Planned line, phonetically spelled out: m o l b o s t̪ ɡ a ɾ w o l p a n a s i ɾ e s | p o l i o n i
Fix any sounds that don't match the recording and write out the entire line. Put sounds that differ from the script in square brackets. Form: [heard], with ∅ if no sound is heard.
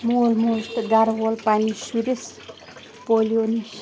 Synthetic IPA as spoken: m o l [m] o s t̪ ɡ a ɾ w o l p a n [i] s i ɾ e s | p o l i o n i